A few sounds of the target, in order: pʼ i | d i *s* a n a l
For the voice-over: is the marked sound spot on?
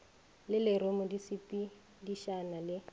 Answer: no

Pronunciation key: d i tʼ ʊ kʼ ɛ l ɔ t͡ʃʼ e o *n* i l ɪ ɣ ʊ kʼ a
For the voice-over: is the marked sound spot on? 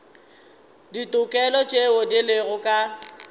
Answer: no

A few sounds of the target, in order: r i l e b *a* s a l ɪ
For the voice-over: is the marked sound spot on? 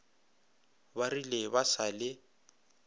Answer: yes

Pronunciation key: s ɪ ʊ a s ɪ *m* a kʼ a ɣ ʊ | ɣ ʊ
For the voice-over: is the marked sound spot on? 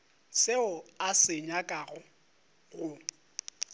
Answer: no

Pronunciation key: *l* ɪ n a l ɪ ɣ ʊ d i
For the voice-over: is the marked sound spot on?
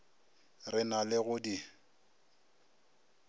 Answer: no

